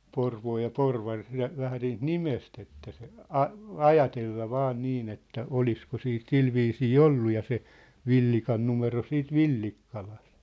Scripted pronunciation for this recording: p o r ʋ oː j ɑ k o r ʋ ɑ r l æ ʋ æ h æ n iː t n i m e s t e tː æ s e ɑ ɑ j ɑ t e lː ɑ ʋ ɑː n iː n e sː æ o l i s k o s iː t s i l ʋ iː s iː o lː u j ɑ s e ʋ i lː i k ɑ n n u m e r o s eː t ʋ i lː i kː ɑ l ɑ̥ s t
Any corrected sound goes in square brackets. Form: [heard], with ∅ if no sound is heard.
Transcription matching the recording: p o r ʋ oː j ɑ [p] o r ʋ ɑ r l æ ʋ æ h æ n iː t n i m e s t e tː æ s e ɑ ɑ j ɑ t e lː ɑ ʋ ɑː n iː n e [tː] æ o l i s k o s iː t s i l ʋ iː s iː o lː u j ɑ s e ʋ i lː i k ɑ n n u m e r o s [iː] t ʋ i lː i kː ɑ l ɑ̥ s t